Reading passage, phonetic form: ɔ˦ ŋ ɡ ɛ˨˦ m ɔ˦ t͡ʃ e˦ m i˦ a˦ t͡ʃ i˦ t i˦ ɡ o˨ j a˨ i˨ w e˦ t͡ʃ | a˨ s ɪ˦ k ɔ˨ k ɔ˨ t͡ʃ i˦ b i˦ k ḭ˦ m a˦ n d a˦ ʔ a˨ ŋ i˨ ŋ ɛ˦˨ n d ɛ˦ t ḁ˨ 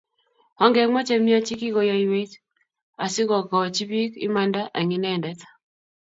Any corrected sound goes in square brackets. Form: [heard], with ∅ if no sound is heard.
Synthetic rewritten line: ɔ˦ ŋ ɡ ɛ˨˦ m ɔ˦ t͡ʃ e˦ m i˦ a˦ t͡ʃ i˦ [k] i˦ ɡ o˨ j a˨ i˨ w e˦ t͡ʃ | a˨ s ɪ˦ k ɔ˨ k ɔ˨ t͡ʃ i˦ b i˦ k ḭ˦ m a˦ n d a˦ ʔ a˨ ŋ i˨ [n] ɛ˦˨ n d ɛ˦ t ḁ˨